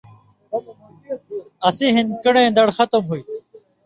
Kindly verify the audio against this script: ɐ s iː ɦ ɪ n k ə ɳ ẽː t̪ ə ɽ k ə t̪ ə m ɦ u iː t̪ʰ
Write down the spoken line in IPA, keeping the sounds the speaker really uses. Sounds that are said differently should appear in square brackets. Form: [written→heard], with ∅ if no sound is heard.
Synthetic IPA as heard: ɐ s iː ɦ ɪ n k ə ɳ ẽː [t̪→d̪] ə ɽ [k→x] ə t̪ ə m ɦ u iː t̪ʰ

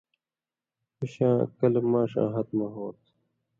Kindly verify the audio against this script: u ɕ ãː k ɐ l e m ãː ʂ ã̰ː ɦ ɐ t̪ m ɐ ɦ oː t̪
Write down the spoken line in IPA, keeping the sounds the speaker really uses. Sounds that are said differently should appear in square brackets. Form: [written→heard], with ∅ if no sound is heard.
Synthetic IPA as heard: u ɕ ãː k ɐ l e m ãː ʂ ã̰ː ɦ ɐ t̪ m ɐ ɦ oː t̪

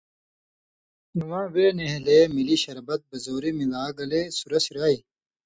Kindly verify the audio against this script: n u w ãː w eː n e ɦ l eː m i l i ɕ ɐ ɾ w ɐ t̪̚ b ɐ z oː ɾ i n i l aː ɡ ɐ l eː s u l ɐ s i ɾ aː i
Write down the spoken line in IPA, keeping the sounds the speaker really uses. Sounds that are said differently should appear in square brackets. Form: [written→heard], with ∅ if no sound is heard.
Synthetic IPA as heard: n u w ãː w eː n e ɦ l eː m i l i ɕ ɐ ɾ [w→b] ɐ t̪̚ b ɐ z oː ɾ i [n→m] i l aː ɡ ɐ l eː s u [l→ɾ] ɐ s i ɾ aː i

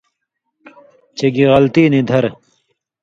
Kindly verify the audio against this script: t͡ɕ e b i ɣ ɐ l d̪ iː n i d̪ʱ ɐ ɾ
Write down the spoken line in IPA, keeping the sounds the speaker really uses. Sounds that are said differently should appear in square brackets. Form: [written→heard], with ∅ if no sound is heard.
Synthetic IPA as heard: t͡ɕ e [b→ɡ] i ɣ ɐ l [d̪→t̪] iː n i d̪ʱ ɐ ɾ

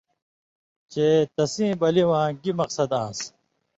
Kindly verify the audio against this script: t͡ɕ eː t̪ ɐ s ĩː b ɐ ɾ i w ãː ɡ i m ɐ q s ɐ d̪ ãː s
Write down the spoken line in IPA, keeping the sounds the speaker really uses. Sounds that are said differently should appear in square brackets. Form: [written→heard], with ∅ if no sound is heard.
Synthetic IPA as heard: t͡ɕ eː t̪ ɐ s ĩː b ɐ [ɾ→l] i w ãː ɡ i m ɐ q s ɐ d̪ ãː s

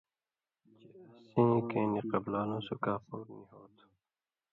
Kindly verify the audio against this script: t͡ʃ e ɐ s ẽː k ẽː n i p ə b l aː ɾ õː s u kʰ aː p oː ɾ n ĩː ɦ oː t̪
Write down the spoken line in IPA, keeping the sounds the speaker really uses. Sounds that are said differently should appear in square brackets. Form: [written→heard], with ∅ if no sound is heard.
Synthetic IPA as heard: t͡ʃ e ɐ s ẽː k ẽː n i [p→q] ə b l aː [ɾ→l] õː s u [kʰ→k] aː p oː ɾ n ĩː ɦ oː t̪

